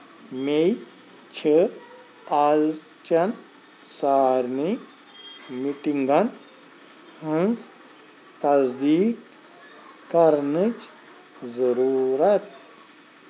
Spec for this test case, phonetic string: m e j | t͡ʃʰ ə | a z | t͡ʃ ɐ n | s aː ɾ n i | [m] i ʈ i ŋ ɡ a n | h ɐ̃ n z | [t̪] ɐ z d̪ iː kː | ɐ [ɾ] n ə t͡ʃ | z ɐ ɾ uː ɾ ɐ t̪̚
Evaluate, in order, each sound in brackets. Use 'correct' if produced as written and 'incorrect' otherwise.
correct, correct, correct

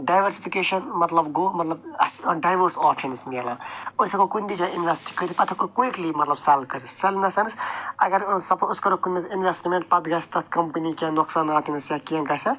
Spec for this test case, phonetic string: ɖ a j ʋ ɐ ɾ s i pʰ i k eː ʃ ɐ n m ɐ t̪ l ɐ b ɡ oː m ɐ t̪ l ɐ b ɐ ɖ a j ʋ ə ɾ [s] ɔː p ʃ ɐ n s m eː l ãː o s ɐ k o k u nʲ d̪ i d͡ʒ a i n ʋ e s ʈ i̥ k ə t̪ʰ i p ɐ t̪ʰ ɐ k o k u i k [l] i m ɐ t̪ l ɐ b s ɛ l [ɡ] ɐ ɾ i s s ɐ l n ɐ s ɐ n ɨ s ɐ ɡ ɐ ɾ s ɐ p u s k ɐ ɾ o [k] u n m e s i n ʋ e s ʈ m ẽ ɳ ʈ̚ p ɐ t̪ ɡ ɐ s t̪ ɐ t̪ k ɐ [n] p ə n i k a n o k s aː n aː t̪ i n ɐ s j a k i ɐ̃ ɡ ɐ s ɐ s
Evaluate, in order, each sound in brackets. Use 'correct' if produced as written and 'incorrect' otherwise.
correct, correct, incorrect: k, correct, incorrect: m

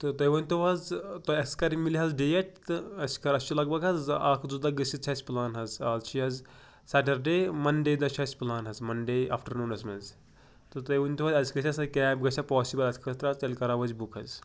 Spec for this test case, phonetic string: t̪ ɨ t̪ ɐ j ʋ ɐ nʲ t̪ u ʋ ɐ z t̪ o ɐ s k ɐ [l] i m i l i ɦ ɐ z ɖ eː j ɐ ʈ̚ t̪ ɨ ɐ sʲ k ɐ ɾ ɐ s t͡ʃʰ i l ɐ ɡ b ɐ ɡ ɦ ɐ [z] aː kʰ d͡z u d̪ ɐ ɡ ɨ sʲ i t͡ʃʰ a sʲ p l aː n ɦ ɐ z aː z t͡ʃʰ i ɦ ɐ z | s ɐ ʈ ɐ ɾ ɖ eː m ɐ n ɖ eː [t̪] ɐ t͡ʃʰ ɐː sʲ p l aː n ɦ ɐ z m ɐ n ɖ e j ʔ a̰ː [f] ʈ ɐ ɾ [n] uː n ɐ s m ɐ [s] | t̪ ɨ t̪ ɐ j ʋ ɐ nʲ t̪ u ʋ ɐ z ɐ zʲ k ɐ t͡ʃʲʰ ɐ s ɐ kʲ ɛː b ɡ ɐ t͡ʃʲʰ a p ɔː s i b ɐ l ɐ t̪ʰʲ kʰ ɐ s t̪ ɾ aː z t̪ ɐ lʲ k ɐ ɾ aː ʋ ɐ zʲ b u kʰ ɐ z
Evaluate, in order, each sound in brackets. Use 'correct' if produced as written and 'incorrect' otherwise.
incorrect: ɾ, correct, incorrect: d̪, correct, correct, incorrect: z

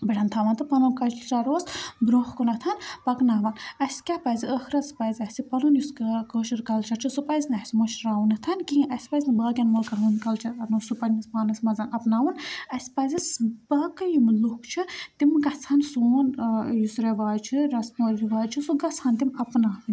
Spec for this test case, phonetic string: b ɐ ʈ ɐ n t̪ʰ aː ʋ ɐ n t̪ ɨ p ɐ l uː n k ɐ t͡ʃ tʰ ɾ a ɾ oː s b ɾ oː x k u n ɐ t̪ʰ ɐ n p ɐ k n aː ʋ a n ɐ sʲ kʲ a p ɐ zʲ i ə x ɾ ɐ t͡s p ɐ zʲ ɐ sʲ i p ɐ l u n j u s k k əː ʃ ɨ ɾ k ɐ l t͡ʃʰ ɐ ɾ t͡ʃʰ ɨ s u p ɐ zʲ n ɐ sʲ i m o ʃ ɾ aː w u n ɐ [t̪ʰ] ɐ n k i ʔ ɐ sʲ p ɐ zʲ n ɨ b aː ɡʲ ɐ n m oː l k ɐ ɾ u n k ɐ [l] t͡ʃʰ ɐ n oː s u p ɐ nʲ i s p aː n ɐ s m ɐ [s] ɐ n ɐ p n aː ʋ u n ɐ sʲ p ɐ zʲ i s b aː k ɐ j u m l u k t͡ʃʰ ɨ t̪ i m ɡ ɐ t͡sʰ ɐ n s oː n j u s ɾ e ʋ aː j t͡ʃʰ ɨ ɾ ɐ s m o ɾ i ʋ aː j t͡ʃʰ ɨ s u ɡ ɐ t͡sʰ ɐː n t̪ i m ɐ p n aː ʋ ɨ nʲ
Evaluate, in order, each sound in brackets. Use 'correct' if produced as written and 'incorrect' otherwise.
correct, correct, incorrect: z

